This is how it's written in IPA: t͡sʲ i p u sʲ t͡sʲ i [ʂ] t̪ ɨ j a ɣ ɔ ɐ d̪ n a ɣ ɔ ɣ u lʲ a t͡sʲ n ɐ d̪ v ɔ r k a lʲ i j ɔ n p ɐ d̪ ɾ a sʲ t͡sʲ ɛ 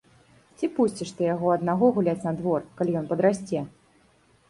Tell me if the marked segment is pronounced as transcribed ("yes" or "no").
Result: yes